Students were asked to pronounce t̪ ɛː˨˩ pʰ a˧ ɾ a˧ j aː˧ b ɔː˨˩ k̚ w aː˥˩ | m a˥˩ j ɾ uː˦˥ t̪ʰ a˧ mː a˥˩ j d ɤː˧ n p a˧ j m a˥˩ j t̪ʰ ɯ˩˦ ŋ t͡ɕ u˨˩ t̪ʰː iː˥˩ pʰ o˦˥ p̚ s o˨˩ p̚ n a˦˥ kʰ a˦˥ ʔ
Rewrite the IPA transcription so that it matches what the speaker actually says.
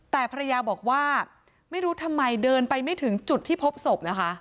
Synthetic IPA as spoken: t̪ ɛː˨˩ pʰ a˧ ɾ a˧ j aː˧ b ɔː˨˩ k̚ w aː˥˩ | m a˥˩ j ɾ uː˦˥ t̪ʰ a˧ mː a˧ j d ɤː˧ n p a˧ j m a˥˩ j t̪ʰ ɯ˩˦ ŋ t͡ɕ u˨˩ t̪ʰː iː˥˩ pʰ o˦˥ p̚ s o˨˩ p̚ n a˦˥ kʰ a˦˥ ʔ

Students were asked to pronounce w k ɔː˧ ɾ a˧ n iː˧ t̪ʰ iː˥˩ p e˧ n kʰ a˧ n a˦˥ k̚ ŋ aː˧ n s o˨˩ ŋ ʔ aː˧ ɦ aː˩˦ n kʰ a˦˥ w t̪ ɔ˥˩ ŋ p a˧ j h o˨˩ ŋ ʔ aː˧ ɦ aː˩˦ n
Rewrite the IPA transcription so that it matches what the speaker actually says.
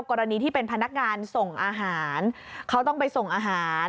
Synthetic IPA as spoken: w k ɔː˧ ɾ a˧ n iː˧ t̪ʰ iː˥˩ p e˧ n pʰ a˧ n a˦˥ k̚ ŋ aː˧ n s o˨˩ ŋ ʔ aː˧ ɦ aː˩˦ n kʰ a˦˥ w t̪ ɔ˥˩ ŋ p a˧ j s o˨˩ ŋ ʔ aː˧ ɦ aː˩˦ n

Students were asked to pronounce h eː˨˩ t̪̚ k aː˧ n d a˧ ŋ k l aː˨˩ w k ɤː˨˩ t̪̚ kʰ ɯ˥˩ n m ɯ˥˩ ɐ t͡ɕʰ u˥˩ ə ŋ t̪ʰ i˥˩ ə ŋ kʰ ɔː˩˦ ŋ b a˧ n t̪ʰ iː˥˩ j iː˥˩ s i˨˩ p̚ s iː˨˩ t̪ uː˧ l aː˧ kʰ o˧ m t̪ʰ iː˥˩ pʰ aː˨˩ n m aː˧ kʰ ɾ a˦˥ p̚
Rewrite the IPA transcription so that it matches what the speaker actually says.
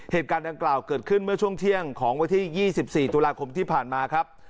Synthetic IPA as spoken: h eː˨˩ t̪̚ k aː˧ n d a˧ ŋ k l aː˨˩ w k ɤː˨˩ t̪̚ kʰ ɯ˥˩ n m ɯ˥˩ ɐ t͡ɕʰ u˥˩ ə ŋ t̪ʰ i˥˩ ə ŋ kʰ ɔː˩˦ ŋ w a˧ n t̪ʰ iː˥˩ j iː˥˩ s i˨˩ p̚ s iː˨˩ t̪ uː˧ l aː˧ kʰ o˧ m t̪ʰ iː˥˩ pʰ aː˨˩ n m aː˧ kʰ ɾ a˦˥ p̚

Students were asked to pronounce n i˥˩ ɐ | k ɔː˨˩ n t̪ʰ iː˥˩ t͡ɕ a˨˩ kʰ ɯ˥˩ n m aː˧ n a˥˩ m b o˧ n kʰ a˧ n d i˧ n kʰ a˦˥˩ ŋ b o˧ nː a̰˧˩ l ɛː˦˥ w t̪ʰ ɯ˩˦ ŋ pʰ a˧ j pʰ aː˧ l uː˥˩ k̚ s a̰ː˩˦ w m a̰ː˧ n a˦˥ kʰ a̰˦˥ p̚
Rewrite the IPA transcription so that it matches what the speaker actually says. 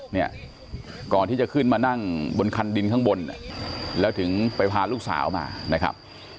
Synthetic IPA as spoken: n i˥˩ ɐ | k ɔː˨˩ n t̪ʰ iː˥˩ t͡ɕ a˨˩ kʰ ɯ˥˩ n m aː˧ n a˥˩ ŋ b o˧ n kʰ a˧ n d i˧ n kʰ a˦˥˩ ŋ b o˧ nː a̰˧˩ l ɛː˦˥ w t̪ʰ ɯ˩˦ ŋ p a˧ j pʰ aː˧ l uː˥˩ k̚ s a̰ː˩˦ w m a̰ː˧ n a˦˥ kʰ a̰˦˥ p̚

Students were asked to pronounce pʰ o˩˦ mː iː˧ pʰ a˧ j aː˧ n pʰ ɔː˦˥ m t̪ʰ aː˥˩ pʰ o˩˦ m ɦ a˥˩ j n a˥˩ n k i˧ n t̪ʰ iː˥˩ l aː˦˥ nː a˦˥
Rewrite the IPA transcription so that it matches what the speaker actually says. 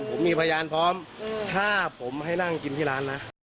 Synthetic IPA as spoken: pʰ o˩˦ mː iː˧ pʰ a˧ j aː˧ n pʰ ɔː˦˥ m t̪ʰ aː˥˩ pʰ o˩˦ m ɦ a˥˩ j n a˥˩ ŋ k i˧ n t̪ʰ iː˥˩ l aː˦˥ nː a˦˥

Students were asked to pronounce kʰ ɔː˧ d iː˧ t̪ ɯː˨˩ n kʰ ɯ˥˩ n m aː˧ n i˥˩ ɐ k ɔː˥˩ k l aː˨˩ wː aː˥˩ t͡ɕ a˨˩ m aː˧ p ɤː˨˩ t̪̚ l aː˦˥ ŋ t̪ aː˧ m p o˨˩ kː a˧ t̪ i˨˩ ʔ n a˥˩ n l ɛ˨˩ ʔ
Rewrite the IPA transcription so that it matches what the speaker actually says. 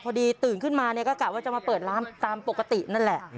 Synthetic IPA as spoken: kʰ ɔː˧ d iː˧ t̪ ɯː˨˩ n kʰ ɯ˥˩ n m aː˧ n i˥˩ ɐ k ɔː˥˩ k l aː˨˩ w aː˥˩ t͡ɕ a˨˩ m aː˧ p ɤː˨˩ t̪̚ l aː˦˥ m t̪ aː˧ m p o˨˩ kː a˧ t̪ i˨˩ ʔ n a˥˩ n l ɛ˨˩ ʔ

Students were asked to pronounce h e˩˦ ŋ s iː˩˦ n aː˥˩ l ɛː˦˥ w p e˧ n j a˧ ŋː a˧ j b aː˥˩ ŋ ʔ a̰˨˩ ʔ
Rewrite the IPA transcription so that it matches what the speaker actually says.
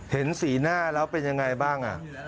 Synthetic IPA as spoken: h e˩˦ n s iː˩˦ n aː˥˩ l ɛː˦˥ w p e˧ n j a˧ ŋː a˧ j b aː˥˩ ŋ ʔ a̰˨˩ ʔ

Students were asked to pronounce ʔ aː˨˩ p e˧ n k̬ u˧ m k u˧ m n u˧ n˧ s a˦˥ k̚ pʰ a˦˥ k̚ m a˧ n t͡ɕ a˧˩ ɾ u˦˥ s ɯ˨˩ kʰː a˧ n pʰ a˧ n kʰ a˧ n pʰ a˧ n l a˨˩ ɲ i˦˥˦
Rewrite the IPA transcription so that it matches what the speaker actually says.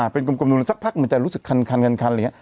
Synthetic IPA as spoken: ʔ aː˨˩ p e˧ n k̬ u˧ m k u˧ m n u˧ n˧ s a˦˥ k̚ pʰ a˦˥ k̚ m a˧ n t͡ɕ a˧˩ ɾ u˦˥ s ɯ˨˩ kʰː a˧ n kʰ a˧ n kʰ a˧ n kʰ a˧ n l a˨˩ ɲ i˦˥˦

